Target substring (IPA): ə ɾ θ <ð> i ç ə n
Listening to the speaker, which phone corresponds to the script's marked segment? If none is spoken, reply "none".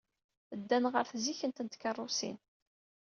z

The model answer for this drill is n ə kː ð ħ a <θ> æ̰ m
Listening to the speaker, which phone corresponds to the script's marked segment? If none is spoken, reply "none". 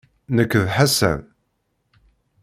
s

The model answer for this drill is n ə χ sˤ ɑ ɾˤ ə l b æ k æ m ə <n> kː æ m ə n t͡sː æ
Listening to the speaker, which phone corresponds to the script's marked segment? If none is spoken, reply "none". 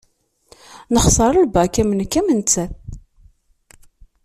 n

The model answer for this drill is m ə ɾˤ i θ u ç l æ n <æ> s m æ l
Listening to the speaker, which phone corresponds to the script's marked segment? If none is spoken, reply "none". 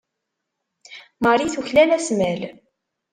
æ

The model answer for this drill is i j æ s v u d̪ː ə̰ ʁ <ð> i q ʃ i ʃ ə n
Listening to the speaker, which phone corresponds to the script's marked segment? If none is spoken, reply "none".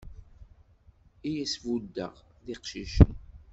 ð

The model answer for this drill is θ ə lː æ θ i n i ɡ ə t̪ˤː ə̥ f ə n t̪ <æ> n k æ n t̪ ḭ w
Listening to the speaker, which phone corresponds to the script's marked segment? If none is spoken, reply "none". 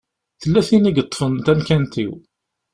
æ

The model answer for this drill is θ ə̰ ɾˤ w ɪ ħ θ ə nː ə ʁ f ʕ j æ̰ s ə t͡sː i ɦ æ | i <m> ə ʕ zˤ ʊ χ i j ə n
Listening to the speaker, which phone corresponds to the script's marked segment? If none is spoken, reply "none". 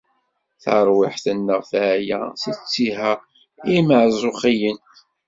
m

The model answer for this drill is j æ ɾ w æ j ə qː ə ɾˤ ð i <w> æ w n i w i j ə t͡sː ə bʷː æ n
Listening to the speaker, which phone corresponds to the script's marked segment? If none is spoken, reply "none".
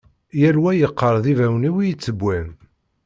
v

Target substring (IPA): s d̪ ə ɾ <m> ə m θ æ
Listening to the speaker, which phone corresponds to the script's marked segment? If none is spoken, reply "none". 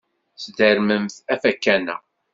m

